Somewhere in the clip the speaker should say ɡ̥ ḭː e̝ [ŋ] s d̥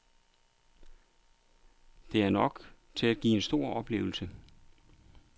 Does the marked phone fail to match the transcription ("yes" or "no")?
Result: yes